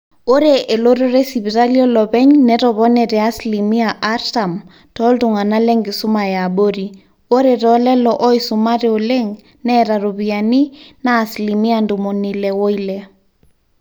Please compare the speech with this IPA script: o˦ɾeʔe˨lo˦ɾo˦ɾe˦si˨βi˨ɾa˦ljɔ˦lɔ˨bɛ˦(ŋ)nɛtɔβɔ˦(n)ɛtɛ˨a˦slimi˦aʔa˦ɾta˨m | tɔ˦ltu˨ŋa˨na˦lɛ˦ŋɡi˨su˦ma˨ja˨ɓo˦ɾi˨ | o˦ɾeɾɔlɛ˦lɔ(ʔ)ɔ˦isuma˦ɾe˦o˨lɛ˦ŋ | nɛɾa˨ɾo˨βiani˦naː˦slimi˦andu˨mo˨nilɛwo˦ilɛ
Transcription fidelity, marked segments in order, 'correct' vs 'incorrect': incorrect, correct, correct

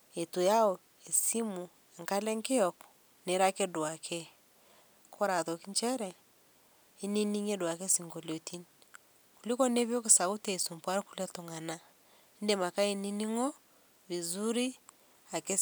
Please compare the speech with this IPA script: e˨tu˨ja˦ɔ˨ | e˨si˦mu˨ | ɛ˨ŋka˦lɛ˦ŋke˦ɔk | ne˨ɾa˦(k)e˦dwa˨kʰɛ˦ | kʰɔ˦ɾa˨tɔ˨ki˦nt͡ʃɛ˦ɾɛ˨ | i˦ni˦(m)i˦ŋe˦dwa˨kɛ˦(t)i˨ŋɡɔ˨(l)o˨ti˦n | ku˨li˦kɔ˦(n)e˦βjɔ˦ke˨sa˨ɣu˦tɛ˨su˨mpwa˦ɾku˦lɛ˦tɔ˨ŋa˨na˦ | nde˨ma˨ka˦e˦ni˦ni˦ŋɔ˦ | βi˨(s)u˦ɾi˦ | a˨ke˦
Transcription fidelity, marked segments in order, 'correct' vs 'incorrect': correct, incorrect, incorrect, correct, correct, incorrect

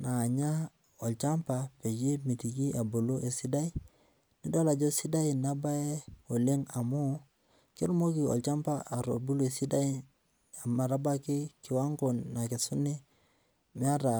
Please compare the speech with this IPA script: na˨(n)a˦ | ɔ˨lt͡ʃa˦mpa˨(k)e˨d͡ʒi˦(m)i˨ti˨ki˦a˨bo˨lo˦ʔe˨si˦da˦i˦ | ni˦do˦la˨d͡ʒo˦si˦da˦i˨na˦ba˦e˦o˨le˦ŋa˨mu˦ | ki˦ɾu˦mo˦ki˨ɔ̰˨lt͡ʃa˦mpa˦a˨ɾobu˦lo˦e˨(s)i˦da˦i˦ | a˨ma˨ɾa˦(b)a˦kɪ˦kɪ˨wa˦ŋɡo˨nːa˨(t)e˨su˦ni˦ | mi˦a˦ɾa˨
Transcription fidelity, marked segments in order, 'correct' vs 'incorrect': incorrect, incorrect, correct, correct, correct, incorrect

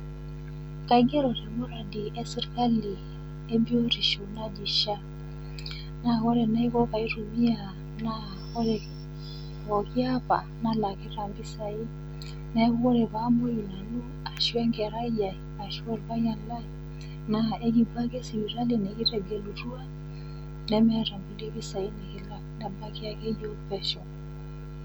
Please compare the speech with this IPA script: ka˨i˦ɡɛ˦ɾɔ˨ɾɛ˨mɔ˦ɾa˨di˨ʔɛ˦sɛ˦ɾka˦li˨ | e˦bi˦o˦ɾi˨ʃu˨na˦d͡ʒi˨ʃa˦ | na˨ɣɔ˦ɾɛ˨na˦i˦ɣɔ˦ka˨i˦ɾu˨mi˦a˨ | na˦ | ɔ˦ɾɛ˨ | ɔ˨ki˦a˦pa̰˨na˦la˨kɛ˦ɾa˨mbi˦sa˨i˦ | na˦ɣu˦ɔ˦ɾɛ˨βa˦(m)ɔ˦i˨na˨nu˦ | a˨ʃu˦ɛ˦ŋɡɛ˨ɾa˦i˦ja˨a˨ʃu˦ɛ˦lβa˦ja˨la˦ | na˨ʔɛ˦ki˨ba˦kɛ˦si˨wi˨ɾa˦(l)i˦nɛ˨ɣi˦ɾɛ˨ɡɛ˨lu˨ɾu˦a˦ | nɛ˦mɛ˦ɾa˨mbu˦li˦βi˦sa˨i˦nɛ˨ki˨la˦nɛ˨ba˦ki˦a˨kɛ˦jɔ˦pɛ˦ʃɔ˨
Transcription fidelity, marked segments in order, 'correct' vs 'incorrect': correct, correct

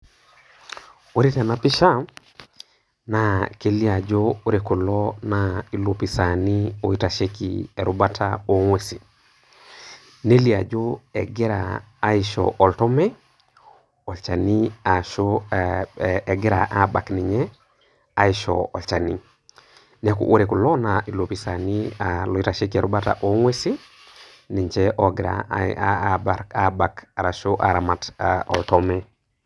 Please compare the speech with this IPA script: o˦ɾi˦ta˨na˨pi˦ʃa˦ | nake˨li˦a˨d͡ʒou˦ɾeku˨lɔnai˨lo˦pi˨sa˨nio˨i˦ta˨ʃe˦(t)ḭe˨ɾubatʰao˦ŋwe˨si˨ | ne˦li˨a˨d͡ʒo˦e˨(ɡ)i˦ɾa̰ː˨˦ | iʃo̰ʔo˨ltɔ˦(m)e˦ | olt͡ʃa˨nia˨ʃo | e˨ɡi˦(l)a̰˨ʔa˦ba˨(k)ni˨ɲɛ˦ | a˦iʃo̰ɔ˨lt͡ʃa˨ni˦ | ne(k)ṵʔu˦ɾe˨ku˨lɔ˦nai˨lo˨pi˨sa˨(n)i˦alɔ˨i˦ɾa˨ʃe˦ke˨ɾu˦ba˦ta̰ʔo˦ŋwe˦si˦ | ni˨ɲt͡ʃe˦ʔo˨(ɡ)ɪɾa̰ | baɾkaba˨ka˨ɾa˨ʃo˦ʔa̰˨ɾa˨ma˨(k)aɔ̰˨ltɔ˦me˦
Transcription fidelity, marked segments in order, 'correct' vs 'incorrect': incorrect, correct, correct, incorrect, correct, correct, correct, correct, incorrect

